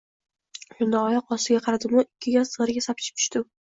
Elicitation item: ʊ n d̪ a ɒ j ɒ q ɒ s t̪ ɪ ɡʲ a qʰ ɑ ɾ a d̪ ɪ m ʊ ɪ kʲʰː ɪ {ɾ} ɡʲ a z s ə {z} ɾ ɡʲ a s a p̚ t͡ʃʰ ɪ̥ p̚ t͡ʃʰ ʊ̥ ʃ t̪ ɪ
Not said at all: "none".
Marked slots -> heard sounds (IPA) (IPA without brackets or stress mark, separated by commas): none, ʁ